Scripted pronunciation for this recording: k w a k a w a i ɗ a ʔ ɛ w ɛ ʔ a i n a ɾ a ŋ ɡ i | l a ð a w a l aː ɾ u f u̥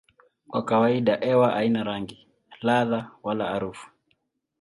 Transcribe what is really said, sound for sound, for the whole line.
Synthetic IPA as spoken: k w a k a w a i ɗ a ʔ ɛ w a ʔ a i n a ɾ a ŋ ɡ i | l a ð a w a l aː ɾ u f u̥